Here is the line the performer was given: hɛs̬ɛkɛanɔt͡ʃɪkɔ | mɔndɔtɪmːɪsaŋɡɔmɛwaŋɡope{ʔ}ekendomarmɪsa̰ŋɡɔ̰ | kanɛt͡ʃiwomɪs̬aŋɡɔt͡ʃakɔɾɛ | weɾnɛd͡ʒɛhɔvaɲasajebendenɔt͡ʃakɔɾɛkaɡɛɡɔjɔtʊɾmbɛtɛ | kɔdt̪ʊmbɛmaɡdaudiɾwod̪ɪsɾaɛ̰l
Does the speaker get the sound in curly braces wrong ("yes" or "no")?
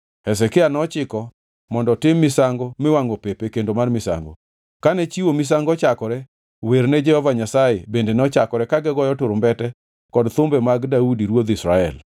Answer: yes